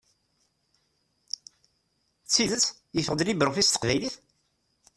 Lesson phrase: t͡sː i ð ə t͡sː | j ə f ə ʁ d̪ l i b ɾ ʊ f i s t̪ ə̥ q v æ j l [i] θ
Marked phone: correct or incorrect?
correct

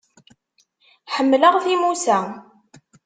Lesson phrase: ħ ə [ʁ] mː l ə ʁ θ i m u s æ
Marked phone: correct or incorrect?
incorrect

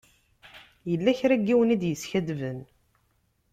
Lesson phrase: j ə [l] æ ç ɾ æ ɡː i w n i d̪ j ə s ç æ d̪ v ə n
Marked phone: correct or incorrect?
incorrect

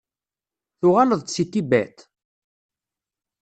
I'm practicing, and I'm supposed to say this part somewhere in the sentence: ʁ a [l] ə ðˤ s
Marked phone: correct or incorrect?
correct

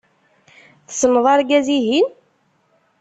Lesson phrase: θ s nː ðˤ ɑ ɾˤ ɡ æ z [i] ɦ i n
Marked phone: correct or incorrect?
correct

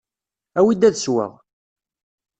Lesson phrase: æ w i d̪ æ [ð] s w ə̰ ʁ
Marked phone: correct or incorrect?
correct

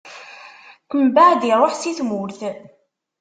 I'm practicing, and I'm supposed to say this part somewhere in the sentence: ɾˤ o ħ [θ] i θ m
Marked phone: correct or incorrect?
incorrect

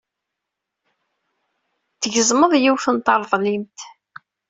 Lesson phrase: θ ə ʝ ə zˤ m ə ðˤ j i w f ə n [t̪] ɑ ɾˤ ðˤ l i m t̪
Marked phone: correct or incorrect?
correct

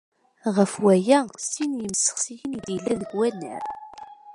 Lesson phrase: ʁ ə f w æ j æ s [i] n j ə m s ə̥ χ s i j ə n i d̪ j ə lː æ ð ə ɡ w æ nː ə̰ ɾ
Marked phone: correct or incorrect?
correct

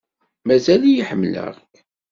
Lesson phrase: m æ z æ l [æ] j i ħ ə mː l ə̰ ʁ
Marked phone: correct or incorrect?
incorrect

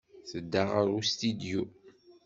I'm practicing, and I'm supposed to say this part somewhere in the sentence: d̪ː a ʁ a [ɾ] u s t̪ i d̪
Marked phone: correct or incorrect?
correct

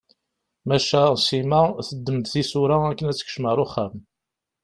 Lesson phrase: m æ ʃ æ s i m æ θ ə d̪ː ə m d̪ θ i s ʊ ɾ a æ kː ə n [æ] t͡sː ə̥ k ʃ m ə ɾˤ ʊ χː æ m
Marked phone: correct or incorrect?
correct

